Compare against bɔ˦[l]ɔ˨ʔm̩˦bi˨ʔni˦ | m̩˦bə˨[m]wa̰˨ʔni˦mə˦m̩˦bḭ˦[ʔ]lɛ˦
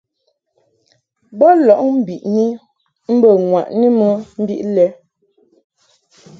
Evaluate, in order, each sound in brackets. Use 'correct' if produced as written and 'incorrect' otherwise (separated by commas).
correct, incorrect, correct